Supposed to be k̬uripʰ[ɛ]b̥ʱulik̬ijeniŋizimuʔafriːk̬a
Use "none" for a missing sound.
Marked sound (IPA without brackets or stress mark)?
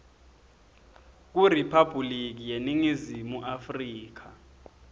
a